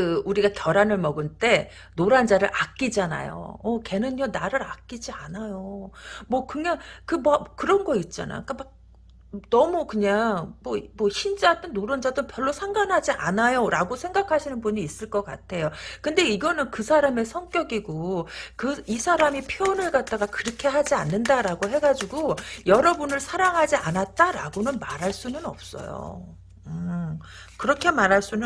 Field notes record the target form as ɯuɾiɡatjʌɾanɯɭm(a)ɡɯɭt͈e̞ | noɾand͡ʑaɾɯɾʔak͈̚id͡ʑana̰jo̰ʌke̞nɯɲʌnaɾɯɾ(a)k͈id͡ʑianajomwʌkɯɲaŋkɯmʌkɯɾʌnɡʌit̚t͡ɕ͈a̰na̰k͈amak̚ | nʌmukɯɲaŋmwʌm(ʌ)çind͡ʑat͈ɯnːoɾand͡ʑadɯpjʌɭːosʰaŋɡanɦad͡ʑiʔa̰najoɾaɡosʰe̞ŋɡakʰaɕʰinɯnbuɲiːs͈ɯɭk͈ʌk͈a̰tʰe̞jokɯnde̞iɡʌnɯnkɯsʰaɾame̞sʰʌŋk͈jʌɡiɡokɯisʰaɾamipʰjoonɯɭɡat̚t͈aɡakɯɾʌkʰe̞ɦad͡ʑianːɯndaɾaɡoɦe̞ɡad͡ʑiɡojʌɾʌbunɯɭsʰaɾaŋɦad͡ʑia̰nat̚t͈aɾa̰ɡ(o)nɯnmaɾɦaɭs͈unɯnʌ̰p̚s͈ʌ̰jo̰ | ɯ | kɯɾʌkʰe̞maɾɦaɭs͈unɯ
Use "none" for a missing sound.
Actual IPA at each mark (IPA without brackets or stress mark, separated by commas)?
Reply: ʌ, a, ʌ, o